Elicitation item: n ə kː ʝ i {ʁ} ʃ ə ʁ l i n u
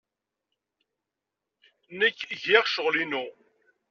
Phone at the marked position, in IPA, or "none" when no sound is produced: ʁ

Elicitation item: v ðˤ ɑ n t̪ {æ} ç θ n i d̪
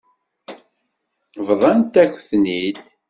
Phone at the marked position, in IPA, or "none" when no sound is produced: æ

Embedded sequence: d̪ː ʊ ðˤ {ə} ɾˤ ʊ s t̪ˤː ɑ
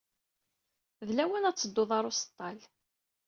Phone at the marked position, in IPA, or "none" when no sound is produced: ɑ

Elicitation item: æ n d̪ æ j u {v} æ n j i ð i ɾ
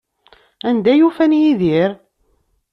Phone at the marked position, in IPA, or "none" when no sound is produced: f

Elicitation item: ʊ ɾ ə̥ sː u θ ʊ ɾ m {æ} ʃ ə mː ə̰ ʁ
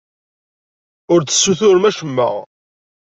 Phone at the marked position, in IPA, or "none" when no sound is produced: æ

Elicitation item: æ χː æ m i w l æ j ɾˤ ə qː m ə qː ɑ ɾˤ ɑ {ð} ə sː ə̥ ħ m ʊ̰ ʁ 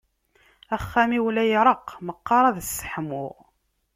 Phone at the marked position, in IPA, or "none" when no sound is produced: ð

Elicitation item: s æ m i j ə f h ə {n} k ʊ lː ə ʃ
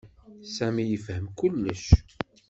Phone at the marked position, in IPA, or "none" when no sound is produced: m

